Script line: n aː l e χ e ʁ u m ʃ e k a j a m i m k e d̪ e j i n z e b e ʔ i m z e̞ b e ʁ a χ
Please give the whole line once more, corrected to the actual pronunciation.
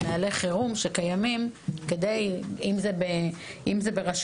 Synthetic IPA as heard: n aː l e χ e ʁ u m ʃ e k a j a m i m k e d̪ e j i m z e b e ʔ i m z e̞ b e ʁ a ʃ